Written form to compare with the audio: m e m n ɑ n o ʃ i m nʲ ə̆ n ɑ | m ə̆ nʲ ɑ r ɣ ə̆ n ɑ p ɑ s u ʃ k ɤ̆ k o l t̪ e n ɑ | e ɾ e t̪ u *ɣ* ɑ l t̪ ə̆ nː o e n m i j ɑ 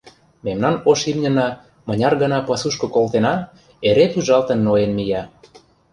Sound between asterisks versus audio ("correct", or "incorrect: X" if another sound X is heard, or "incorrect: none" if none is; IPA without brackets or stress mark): incorrect: ʒ